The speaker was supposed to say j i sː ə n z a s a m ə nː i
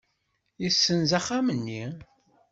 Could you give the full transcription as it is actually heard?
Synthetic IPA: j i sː ə n z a χ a m ə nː i